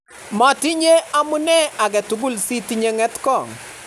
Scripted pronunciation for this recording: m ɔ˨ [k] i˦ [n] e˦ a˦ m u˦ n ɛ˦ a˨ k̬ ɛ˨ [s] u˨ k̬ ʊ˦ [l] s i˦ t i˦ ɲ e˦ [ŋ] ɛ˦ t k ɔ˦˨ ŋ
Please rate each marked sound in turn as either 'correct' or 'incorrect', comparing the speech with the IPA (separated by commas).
incorrect, incorrect, incorrect, correct, correct